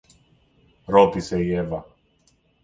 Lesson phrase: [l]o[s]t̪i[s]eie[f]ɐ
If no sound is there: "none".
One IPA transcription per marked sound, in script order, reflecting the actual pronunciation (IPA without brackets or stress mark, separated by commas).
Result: ɾ, none, s, v